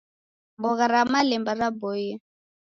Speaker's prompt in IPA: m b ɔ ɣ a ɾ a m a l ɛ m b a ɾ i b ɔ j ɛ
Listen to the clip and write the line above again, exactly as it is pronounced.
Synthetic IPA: m b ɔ ɣ a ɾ a m a l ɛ m b a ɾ a b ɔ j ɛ